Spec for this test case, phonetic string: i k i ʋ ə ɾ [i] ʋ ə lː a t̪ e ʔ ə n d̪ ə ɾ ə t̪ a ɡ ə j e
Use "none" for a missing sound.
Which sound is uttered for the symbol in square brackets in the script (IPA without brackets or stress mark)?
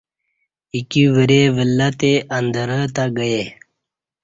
e